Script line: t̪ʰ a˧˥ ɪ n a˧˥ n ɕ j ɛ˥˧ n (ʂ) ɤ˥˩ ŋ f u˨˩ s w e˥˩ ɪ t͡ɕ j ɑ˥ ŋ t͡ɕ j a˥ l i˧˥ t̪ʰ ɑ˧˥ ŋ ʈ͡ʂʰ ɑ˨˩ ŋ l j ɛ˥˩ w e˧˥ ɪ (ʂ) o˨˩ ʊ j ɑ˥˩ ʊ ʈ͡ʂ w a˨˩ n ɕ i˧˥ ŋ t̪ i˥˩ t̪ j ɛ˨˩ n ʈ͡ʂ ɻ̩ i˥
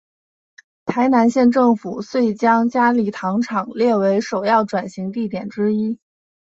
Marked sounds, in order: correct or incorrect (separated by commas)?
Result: incorrect, correct